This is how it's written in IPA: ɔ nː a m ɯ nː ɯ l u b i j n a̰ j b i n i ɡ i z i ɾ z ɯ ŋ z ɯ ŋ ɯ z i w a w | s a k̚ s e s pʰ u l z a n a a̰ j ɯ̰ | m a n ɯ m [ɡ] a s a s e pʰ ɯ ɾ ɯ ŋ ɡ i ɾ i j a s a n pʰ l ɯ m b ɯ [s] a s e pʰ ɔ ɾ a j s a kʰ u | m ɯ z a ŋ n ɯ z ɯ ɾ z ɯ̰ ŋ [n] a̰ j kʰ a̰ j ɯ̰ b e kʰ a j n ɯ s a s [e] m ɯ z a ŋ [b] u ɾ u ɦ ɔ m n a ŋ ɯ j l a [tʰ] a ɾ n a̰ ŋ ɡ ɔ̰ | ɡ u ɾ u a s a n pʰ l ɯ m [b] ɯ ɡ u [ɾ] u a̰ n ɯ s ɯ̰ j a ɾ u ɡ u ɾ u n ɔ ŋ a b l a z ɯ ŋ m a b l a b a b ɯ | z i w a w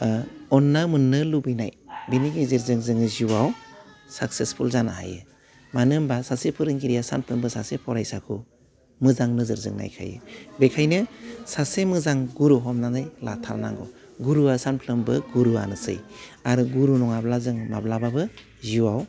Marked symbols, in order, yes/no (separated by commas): no, yes, yes, yes, no, yes, yes, yes